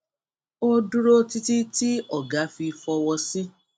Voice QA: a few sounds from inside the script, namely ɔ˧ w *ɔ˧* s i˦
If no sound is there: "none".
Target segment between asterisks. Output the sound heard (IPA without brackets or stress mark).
ɔ˧